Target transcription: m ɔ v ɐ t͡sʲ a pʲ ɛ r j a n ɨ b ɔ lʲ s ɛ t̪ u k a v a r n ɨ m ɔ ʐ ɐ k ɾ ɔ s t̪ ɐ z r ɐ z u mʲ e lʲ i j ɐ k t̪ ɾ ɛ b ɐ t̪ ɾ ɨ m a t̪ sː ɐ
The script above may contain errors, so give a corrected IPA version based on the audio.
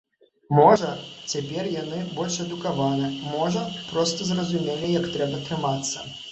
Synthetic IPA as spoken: m ɔ ʐ ɐ t͡sʲ a pʲ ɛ r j a n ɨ b ɔ lʲ ʂ ɛ d̪ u k a v a n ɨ m ɔ ʐ ɐ p ɾ ɔ s t̪ ɐ z r ɐ z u mʲ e lʲ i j ɐ k t̪ ɾ ɛ b ɐ t̪ ɾ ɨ m a t̪ sː ɐ